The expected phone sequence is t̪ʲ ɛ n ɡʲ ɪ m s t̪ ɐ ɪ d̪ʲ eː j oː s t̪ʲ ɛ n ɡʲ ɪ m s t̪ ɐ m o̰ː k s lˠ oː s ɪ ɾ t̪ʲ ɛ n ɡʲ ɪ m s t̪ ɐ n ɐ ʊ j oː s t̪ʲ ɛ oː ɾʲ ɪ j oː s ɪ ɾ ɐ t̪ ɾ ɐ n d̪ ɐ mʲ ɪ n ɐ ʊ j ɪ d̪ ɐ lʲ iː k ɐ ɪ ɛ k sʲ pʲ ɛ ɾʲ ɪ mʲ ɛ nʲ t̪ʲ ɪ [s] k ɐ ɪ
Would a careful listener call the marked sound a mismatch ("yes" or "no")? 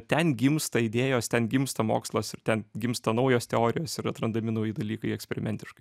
yes